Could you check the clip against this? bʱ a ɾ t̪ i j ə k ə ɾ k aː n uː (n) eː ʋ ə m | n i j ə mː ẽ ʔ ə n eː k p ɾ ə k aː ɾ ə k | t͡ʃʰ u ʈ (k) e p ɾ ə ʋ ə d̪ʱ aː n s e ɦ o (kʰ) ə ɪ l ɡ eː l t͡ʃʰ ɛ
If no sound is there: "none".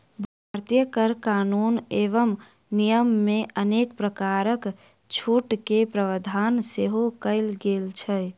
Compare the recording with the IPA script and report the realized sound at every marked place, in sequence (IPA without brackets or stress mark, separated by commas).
n, k, k